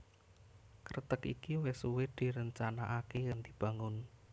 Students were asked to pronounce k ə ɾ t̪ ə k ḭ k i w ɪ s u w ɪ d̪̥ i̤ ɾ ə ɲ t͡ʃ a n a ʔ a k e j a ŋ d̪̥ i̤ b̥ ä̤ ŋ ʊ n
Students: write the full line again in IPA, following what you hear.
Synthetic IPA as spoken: k ə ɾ t̪ ə k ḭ k i w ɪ s u w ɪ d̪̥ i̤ ɾ ə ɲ t͡ʃ a n a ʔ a k e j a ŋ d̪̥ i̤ b̥ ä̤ ŋ ʊ n